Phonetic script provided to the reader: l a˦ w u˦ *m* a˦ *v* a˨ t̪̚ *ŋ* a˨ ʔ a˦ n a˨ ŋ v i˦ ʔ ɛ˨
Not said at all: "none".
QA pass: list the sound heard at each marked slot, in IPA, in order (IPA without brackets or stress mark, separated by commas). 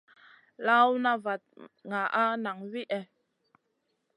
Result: n, v, ŋ